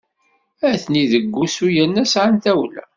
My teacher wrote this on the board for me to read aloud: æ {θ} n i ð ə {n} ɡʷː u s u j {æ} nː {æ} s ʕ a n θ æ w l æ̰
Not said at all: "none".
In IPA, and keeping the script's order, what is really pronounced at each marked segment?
θ, none, æ, æ

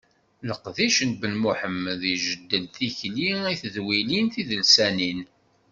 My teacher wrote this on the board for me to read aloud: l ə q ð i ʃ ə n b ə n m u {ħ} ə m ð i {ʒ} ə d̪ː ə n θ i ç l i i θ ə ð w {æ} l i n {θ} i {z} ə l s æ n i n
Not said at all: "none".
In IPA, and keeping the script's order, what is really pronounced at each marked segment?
ħ, ʒ, i, θ, ð

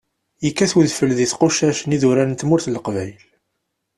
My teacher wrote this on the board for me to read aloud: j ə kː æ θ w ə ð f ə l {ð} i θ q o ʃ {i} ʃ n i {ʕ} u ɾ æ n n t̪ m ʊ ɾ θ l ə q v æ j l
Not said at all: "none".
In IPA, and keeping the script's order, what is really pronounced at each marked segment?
ð, æ, ð

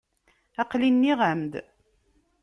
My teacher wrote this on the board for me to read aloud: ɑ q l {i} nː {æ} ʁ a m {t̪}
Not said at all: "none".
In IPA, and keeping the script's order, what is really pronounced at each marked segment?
i, i, d̪

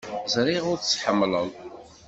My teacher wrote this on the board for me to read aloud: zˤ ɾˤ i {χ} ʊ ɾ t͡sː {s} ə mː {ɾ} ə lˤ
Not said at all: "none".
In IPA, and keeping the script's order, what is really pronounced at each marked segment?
ʁ, ħ, l

